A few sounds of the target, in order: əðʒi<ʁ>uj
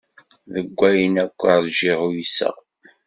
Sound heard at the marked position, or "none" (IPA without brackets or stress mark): ʁ